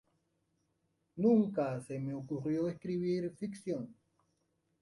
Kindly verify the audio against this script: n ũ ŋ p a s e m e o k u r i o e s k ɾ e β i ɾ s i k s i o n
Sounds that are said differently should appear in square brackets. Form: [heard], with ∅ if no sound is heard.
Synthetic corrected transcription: n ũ ŋ [k] a s e m e o k u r [j] o e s k ɾ [i] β i ɾ [f] i k s [j] o n